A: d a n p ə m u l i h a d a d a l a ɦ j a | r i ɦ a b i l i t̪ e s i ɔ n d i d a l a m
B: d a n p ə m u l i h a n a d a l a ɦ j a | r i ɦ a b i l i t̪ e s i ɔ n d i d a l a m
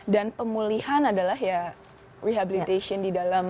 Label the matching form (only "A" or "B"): B